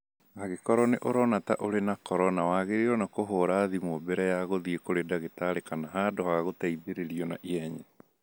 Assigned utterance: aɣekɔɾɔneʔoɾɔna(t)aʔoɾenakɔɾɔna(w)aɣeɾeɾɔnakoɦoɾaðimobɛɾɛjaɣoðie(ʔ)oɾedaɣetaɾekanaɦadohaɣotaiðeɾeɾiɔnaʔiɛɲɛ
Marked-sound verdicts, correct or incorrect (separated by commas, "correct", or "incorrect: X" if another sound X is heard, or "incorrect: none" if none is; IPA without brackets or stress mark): correct, correct, incorrect: k